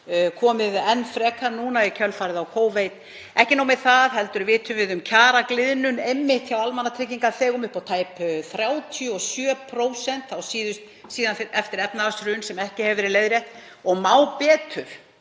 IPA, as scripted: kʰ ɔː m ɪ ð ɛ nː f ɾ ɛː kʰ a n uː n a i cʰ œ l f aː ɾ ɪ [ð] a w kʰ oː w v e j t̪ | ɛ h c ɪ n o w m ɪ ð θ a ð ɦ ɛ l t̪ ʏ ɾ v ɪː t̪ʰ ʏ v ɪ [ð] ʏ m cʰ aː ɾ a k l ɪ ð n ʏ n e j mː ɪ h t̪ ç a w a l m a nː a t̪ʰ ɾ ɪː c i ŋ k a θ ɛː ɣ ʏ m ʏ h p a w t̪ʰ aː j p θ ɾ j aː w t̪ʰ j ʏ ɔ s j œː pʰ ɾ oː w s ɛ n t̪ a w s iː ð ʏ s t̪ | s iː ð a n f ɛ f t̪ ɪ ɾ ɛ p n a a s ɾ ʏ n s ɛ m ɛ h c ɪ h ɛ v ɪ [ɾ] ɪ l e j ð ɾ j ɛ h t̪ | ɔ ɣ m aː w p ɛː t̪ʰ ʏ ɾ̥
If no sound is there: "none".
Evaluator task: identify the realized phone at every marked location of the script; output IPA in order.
ð, ð, ɾ

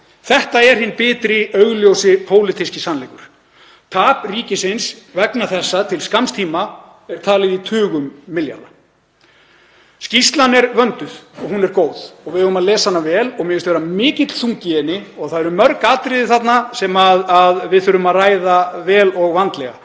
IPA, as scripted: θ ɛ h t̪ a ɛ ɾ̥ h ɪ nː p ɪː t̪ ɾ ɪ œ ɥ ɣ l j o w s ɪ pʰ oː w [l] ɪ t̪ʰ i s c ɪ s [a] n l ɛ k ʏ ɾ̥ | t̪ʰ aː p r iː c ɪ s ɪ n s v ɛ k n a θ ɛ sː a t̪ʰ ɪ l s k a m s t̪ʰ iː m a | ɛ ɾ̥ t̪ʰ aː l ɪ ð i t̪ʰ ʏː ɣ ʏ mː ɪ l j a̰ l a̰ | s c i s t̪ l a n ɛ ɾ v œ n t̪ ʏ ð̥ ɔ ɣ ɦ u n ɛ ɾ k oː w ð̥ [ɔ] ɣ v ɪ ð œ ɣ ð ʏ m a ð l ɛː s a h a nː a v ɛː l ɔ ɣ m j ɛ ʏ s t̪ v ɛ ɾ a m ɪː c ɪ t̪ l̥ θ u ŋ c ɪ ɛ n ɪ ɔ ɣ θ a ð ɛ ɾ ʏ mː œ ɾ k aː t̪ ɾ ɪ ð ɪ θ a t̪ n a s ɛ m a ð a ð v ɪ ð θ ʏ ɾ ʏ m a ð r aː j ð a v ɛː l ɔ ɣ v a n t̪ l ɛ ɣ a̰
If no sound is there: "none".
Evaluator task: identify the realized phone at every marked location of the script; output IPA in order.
l, a, ɔ

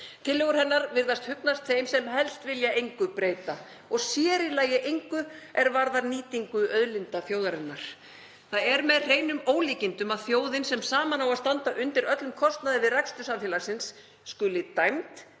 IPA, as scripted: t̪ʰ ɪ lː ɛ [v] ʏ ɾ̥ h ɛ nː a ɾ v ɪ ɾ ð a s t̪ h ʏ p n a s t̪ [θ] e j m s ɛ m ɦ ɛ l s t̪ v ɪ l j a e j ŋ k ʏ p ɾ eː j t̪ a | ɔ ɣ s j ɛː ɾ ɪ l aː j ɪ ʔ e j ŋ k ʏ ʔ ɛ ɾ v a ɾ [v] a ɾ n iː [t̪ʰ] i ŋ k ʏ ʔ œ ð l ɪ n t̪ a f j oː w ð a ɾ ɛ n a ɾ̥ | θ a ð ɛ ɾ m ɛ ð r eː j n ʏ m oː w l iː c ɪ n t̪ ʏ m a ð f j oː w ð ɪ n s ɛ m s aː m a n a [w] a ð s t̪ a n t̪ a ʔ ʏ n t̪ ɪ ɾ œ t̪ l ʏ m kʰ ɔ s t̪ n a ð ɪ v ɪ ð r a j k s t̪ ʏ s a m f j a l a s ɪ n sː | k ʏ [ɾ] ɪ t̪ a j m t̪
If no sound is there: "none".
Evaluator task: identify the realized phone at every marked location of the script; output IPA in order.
ɣ, θ, ð, t̪, w, l

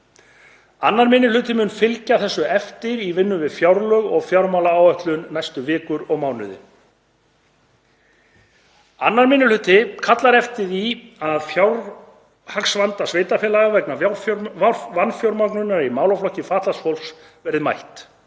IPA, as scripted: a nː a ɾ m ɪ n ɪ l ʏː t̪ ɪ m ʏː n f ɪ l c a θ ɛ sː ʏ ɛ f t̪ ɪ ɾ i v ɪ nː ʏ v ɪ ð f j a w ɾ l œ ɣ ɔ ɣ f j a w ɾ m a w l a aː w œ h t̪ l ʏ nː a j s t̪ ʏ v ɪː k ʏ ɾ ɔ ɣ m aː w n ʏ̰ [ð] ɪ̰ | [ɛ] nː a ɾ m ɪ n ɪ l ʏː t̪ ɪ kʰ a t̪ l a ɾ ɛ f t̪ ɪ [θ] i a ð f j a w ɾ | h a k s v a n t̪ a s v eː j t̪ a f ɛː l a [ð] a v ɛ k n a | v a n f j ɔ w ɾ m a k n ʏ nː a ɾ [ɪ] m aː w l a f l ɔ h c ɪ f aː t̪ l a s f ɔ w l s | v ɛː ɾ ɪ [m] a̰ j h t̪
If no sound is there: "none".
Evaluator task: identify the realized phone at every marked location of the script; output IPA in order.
ð, a, ð, ɣ, i, m

